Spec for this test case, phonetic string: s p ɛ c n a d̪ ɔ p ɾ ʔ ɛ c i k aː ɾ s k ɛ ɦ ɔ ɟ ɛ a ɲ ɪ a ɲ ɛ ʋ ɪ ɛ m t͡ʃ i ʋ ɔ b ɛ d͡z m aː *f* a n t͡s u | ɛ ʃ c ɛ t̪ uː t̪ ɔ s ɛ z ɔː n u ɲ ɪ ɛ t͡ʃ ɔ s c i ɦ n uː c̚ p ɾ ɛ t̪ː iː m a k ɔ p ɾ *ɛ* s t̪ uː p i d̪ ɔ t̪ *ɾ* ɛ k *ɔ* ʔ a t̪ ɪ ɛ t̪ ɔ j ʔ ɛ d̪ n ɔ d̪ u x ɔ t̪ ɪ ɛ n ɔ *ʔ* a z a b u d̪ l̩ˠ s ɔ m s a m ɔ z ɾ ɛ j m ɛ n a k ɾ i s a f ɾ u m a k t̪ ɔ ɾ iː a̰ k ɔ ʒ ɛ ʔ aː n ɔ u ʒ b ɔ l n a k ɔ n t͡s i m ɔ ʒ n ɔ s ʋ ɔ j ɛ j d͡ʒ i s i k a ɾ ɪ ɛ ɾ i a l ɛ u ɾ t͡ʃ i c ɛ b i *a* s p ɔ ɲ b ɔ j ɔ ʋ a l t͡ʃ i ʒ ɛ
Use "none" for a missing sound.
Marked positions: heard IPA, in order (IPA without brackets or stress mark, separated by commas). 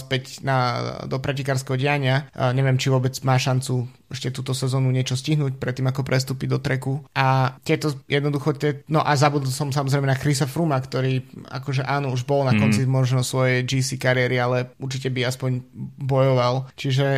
ʃ, ɛ, ɾ, u, ʔ, a